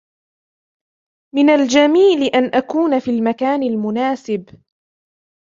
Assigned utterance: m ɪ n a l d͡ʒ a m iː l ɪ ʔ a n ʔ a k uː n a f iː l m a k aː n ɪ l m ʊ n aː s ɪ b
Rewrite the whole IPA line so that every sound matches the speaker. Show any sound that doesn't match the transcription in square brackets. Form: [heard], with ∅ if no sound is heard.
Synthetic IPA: m ɪ n a l d͡ʒ a m iː l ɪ ʔ a n ʔ a k uː n a f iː l m a k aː n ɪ l m ʊ n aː s ɪ b